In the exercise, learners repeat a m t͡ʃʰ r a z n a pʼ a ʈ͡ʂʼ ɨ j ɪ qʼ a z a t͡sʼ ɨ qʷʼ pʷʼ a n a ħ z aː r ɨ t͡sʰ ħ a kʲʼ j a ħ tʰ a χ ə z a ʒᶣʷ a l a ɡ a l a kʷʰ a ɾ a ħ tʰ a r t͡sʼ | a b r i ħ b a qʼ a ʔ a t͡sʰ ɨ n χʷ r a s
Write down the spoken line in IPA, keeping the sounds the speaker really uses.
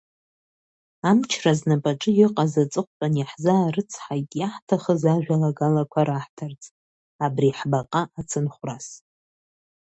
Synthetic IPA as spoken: a m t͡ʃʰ r a z n a pʼ a ʈ͡ʂʼ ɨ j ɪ qʼ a z a t͡sʼ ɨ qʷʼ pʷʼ a n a ħ z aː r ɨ t͡sʰ ħ a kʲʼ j a ħ tʰ a χ ə z a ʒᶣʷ a l a ɡ a l a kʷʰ a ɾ a ħ tʰ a r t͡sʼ | a b r i ħ b a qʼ a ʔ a t͡sʰ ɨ n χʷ r a s